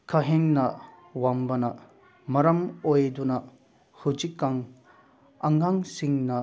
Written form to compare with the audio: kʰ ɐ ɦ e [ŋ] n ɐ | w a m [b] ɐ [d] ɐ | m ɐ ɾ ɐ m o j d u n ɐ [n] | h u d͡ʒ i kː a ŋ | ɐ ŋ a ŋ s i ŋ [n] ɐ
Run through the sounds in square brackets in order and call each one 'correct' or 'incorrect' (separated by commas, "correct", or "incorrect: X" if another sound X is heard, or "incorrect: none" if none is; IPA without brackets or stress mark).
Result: correct, correct, incorrect: n, incorrect: none, correct